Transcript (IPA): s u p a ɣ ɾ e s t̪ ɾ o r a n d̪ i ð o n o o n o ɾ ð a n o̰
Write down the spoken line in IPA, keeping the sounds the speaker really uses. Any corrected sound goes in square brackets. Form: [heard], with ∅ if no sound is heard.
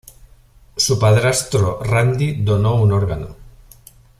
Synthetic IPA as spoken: s u p a [ð] ɾ [a] s t̪ ɾ o r a n d̪ i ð o n o [u] n o ɾ [ɣ] a n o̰